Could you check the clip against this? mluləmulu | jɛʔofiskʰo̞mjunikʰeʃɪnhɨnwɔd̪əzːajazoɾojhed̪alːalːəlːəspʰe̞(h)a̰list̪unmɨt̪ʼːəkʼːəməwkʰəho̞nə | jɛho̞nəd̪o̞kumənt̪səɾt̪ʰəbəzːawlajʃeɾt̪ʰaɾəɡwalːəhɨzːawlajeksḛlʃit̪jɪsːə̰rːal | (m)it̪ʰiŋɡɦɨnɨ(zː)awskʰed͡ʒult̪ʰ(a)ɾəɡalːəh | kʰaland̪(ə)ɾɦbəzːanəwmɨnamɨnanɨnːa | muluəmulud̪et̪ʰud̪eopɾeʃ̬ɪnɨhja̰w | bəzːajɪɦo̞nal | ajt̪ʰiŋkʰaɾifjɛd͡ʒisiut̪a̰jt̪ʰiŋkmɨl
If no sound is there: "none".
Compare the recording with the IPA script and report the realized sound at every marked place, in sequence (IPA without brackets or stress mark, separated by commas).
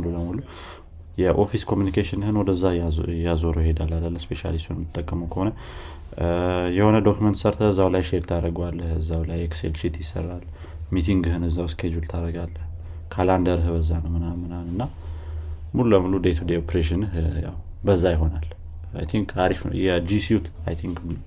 ʃ, m, zː, a, ə